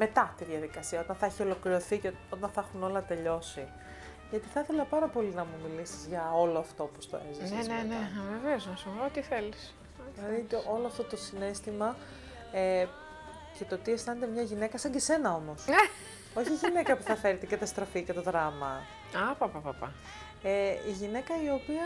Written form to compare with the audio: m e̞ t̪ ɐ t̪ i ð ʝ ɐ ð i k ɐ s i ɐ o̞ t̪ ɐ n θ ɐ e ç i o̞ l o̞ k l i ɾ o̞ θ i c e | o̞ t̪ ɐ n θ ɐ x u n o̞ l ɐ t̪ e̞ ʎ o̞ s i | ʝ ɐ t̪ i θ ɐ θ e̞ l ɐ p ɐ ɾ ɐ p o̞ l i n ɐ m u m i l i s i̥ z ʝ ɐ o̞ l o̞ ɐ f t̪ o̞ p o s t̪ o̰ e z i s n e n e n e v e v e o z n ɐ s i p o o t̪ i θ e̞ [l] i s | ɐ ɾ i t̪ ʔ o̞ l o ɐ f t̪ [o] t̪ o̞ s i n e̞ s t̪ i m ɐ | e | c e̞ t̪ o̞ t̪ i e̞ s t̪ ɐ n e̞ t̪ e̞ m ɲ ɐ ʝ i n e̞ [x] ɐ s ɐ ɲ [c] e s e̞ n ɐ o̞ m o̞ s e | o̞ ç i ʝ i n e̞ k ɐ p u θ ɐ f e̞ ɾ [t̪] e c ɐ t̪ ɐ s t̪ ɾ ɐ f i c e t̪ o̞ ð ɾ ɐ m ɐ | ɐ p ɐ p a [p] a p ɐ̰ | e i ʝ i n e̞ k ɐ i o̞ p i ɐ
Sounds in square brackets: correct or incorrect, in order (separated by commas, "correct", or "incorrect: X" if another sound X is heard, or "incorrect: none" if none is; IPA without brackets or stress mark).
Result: correct, correct, incorrect: k, incorrect: ɟ, correct, correct